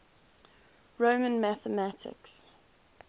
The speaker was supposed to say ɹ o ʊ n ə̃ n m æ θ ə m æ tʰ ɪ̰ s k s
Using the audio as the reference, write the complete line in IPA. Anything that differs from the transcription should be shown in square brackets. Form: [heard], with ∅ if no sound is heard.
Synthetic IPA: ɹ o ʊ [m] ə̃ n m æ θ ə m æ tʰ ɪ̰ [∅] k s